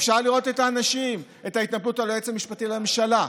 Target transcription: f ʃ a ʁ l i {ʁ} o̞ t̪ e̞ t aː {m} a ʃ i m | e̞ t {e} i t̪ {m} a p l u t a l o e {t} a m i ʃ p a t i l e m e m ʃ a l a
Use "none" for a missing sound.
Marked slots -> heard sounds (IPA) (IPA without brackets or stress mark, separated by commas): ʁ, n, a, n, t͡s